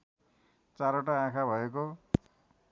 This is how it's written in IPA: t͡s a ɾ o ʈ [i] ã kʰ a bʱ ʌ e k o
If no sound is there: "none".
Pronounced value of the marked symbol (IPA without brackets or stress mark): a